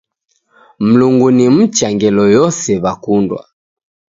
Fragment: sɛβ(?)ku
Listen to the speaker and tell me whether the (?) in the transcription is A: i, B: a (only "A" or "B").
B